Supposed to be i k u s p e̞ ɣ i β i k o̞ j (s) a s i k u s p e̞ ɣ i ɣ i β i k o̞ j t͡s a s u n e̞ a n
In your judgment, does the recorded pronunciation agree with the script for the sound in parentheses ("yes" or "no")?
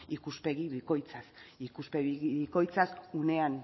no